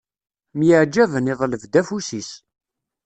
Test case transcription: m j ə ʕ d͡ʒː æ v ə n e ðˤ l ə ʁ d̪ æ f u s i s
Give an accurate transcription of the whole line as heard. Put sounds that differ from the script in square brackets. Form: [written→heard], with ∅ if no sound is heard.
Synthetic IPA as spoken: m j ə ʕ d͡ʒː æ v ə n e ðˤ l ə [ʁ→v] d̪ æ f u s i s